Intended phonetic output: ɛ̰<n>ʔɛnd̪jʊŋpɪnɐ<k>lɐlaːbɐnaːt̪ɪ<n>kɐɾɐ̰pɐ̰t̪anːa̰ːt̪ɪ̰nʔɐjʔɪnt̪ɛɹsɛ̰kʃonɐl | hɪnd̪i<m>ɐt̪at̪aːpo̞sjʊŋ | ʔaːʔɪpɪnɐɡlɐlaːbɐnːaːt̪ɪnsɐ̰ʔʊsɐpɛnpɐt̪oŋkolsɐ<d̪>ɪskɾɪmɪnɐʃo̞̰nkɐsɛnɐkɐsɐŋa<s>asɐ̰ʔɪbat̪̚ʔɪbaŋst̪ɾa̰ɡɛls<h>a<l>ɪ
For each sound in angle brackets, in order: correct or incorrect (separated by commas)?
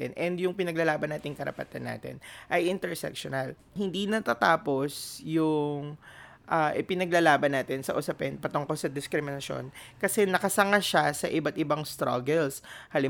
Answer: correct, incorrect, incorrect, incorrect, correct, incorrect, correct, correct